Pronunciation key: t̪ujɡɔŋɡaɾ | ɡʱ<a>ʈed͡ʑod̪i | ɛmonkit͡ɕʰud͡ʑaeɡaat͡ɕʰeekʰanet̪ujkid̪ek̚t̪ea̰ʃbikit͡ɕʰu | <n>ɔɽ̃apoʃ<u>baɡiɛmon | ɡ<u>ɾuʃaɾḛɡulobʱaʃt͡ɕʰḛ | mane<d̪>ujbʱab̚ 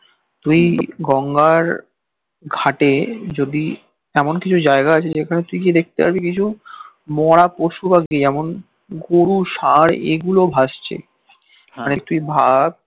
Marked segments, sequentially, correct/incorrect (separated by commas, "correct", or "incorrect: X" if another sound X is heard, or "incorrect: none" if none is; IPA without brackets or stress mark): correct, incorrect: m, correct, incorrect: o, incorrect: t̪